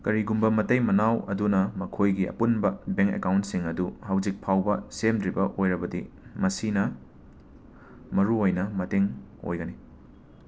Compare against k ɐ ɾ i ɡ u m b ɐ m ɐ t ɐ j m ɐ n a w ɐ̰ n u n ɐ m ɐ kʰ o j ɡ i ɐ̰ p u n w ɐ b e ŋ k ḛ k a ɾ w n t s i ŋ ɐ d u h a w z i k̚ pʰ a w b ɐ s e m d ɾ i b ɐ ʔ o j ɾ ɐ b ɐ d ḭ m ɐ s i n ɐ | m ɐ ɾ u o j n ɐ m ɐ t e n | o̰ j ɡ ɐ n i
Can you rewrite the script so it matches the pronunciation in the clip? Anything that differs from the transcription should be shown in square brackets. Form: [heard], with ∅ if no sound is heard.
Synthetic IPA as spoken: k ɐ ɾ i ɡ u m b ɐ m ɐ t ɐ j m ɐ n a w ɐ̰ [d] u n ɐ m ɐ kʰ o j ɡ i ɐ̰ p u n [b] ɐ b e ŋ k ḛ k a [∅] w n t s i ŋ ɐ d u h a w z i k̚ pʰ a w b ɐ s e m d ɾ i b ɐ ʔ o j ɾ ɐ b ɐ d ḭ m ɐ s i n ɐ | m ɐ ɾ u o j n ɐ m ɐ t e [ŋ] | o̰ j ɡ ɐ n i